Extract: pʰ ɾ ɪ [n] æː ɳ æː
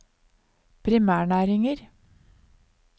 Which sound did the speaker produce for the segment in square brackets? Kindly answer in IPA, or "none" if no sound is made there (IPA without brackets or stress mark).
m